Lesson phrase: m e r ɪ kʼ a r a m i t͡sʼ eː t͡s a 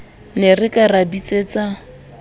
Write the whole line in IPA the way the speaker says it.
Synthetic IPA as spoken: n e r ɪ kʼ a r a b i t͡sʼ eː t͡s a